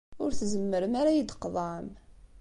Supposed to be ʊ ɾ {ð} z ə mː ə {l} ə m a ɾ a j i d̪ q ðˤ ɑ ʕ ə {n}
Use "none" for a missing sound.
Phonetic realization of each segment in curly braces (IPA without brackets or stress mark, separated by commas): θ, ɾ, m